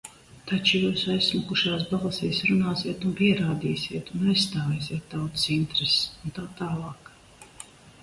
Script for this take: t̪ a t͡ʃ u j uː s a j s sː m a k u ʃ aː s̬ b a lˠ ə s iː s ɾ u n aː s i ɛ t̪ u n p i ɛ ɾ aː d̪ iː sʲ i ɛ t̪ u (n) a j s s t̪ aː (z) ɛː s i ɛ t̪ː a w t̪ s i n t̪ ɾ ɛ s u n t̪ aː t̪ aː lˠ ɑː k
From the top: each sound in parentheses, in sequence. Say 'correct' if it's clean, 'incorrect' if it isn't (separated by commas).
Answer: correct, incorrect